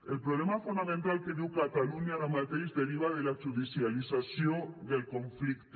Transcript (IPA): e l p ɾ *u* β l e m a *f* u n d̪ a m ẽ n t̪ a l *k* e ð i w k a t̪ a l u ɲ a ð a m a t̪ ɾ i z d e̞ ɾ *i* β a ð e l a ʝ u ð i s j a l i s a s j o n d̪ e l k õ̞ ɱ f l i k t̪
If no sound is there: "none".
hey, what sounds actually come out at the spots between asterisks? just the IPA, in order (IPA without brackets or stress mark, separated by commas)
o, f, k, i